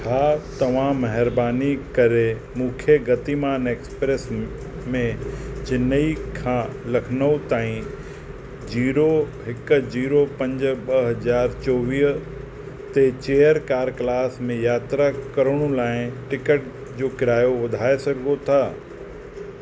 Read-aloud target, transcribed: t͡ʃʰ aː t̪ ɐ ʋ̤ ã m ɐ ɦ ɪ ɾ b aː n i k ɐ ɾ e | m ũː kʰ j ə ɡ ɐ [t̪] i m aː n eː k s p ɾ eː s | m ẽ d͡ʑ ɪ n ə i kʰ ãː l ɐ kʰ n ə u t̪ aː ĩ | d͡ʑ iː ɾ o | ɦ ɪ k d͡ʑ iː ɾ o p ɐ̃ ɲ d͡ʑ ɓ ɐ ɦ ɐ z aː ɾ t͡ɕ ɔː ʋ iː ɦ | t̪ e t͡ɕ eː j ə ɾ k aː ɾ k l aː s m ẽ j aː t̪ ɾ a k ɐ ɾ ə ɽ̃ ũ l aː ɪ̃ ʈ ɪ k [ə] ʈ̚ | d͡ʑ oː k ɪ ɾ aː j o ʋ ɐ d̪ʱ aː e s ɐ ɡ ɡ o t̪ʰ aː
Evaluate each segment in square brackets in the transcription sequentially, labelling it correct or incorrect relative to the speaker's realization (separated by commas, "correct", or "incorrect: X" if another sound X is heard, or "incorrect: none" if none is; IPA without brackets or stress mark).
correct, correct